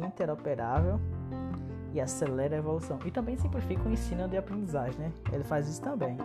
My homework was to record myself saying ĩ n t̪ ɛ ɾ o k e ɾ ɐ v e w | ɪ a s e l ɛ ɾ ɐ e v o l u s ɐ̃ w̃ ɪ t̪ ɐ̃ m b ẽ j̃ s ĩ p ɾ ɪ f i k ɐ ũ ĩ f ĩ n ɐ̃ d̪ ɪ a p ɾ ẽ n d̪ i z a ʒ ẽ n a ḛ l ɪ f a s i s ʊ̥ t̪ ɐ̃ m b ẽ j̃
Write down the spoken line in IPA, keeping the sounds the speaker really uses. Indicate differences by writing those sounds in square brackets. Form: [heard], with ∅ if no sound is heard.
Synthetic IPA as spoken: ĩ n t̪ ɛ ɾ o [p] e ɾ [a] v e w | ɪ a s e l ɛ ɾ ɐ e v o l u s ɐ̃ w̃ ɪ t̪ ɐ̃ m b ẽ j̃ s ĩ p [l] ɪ f i k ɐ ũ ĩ [s] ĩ n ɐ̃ d̪ ɪ a p ɾ ẽ n d̪ i z a ʒ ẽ n [ɛ] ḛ l ɪ f a [z] i s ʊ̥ t̪ ɐ̃ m b ẽ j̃